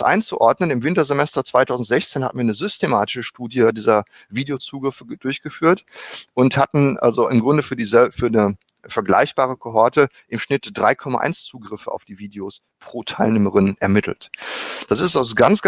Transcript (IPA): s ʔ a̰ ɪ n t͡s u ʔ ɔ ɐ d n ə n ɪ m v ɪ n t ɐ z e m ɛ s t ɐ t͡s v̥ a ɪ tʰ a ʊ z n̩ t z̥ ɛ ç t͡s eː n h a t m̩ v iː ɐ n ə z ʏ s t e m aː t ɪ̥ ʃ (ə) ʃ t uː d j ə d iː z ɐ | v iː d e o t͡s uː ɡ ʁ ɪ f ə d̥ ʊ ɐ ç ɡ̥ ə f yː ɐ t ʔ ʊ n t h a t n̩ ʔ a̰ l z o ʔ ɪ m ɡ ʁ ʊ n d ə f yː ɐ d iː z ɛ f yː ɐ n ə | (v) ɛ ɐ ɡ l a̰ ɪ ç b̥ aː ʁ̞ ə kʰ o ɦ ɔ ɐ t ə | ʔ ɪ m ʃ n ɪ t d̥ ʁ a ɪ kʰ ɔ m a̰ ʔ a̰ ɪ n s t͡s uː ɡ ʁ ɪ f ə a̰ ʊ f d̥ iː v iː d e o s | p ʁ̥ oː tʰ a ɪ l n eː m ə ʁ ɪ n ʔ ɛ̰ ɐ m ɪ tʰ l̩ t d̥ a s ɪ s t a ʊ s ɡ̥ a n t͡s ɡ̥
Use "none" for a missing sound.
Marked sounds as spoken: ə, f

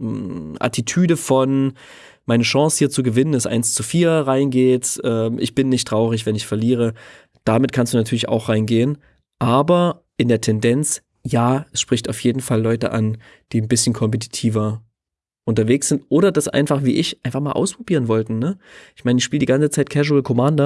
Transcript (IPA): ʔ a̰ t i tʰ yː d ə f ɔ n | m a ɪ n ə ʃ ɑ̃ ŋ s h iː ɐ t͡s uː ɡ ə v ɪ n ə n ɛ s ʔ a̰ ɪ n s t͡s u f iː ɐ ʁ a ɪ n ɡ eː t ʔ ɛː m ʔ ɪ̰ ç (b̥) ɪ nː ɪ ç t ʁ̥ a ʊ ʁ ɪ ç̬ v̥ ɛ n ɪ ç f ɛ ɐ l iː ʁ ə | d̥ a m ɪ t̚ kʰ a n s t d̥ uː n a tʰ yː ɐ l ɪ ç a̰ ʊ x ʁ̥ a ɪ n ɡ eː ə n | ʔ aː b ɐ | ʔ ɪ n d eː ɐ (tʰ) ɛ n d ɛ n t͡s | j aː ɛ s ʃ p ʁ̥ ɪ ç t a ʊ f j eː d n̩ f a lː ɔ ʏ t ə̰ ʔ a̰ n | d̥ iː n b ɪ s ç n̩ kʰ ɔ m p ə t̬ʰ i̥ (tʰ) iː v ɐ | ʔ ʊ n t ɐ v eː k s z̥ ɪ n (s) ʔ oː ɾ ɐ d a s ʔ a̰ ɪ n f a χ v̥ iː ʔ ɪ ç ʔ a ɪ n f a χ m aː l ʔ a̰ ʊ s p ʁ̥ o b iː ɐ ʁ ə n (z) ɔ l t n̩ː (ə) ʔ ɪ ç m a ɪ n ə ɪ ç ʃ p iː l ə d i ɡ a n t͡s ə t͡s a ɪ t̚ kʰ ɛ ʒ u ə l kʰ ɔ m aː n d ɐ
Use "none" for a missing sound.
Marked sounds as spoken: b̥, tʰ, tʰ, t, v, ə

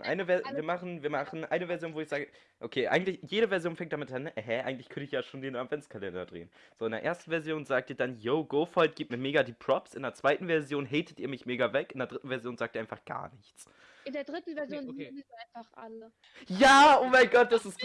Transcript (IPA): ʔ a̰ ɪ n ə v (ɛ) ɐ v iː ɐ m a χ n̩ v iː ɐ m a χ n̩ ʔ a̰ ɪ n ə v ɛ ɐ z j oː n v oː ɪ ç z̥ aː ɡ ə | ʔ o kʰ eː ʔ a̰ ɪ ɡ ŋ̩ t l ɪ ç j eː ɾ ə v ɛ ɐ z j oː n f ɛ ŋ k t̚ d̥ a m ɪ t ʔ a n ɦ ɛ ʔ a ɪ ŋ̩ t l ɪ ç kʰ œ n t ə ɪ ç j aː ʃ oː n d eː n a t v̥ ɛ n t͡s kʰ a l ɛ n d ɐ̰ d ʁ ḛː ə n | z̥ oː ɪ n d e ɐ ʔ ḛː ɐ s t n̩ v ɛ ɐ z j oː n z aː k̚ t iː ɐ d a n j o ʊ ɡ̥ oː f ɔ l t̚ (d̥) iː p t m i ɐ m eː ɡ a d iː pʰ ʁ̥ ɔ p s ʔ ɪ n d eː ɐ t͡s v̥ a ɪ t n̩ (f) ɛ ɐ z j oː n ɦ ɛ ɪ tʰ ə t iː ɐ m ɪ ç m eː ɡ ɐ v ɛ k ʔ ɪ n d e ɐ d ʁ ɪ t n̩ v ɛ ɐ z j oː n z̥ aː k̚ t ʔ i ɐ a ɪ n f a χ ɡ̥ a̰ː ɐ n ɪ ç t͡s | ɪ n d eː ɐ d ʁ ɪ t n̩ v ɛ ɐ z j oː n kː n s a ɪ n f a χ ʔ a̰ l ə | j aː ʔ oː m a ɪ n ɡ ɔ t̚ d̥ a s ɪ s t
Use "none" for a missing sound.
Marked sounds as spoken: ɛ, ɡ̥, v

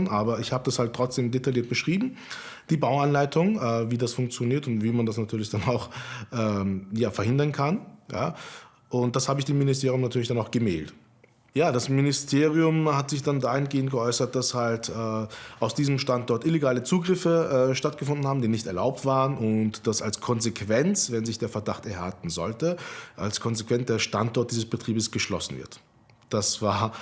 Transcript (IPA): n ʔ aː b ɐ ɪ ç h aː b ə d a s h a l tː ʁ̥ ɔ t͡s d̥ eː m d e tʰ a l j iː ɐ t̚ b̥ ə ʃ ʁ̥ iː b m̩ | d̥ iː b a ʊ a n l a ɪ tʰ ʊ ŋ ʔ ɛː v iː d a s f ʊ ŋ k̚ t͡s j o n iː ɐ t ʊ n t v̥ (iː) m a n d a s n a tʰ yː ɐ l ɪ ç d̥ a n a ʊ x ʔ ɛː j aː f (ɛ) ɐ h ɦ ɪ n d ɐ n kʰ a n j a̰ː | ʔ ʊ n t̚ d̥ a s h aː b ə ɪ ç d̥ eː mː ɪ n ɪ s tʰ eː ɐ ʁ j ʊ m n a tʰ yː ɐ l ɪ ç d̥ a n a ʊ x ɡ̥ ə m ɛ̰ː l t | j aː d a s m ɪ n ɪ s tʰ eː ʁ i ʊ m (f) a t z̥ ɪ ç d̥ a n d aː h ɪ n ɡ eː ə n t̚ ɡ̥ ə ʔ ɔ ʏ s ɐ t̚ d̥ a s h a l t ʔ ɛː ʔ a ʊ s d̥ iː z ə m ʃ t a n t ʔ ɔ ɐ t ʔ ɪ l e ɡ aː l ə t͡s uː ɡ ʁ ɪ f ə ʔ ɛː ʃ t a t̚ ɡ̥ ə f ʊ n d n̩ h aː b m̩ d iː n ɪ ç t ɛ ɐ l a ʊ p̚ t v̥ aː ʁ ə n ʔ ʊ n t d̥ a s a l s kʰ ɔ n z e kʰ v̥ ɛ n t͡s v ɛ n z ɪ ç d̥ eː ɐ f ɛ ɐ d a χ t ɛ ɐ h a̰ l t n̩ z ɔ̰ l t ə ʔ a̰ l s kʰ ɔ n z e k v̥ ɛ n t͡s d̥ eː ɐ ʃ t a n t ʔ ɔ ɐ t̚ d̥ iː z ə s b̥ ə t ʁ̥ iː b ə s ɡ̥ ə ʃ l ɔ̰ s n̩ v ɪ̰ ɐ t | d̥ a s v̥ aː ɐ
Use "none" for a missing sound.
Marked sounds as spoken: iː, ɛ, h

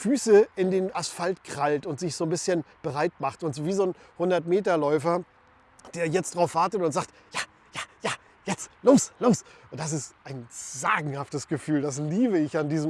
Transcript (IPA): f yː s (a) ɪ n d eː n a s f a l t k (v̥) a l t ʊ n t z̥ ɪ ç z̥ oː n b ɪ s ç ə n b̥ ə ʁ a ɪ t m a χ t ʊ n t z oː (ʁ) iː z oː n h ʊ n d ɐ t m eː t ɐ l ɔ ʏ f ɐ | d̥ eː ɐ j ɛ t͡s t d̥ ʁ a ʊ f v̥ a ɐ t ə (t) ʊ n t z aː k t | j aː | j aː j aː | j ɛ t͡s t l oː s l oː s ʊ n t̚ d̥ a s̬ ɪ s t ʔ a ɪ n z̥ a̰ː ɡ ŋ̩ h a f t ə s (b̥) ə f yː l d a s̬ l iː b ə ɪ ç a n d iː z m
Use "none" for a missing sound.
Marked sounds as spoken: ə, ʁ̥, v, t, ɡ̥

